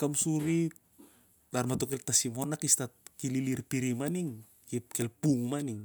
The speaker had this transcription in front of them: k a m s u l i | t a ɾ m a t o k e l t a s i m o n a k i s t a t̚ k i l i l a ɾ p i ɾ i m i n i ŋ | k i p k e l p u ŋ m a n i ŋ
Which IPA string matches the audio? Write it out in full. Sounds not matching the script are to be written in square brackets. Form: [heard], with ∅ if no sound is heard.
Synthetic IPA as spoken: k a m s u [ɾ] i | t a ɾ m a t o k e l t a s i m o n a k i s t a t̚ k i l i l [i] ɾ p i ɾ i m [a] n i ŋ | k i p k e l p u ŋ m a n i ŋ